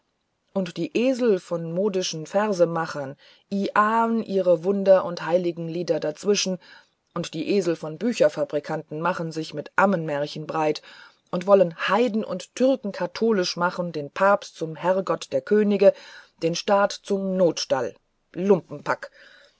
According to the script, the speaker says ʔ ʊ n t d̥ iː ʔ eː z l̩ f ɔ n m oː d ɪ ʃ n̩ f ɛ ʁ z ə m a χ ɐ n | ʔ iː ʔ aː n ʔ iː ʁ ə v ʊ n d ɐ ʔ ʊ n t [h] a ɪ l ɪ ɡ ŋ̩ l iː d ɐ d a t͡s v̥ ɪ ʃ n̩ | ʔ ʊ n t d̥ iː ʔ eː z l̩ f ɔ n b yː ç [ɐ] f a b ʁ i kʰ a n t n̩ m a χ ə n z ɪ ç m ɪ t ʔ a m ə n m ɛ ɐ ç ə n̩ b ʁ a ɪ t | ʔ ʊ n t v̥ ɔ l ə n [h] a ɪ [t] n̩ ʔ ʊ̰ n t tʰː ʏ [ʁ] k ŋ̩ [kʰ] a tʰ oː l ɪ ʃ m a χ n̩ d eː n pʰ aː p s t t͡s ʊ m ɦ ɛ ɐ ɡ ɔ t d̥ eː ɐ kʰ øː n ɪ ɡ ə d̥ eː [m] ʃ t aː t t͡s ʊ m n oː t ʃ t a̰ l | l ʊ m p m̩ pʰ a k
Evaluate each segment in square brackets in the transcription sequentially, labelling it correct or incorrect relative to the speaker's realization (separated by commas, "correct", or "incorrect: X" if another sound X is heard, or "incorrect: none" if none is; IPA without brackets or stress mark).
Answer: correct, correct, correct, incorrect: d, correct, correct, incorrect: n